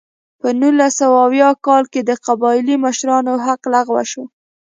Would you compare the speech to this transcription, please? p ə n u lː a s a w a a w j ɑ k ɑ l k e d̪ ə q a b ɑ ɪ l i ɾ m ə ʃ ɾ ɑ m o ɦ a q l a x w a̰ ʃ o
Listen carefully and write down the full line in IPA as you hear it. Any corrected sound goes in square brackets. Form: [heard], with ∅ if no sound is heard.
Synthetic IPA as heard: p ə n u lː a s a w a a w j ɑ k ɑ l k e d̪ ə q a b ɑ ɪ l i [∅] m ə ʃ ɾ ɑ [n] o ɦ a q l a [ɣ] w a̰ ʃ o